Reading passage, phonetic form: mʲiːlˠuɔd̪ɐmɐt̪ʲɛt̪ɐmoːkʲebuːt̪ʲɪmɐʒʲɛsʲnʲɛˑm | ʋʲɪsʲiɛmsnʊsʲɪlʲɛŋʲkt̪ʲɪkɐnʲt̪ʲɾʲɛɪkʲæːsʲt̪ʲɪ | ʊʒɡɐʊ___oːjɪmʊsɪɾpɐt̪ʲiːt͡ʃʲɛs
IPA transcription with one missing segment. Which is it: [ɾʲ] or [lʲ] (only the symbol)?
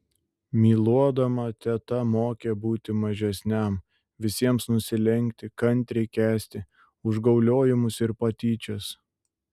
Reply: lʲ